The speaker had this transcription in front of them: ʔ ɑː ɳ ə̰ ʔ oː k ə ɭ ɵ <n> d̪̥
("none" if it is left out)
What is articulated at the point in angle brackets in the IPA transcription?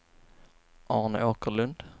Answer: n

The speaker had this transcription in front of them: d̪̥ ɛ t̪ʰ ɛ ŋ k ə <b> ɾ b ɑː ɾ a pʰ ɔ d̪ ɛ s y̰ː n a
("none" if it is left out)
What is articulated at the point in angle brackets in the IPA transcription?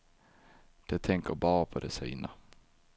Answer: none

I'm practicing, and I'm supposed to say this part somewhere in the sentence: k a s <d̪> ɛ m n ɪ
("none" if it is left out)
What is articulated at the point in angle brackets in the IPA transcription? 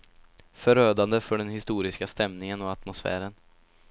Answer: t̪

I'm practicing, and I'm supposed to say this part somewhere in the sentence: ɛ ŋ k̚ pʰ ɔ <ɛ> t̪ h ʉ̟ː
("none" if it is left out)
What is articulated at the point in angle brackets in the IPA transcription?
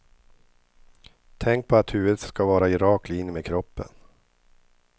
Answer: a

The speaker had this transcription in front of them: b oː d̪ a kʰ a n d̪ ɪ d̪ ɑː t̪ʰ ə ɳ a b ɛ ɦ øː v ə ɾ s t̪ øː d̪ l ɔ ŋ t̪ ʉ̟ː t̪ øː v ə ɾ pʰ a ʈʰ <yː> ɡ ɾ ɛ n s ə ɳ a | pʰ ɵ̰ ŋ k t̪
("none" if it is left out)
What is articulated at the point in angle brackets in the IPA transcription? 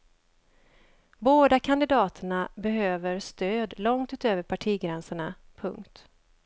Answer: iː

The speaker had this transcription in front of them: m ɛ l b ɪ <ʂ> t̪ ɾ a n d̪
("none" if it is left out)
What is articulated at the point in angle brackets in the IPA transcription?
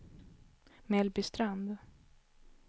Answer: s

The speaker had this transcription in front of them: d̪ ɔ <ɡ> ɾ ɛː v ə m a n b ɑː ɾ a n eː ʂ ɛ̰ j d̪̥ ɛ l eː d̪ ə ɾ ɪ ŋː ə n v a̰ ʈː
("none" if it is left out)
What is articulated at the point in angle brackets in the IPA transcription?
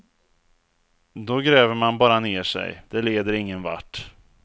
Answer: ɡ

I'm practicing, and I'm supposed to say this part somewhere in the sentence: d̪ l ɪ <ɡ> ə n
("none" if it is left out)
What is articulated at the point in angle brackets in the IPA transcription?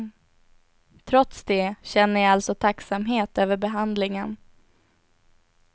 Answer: ŋ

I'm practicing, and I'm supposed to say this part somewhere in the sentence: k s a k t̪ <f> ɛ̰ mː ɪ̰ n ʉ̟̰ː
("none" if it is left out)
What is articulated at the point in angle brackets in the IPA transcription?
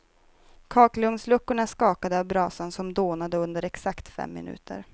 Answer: f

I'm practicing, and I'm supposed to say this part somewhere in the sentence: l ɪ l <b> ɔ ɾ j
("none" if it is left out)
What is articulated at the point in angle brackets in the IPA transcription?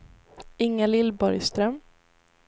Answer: b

